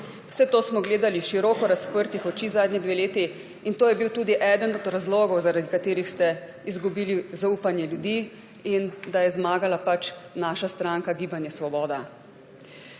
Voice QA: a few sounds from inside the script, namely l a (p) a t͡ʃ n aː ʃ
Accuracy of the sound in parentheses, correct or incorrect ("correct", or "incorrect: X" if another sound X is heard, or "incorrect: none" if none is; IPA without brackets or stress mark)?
correct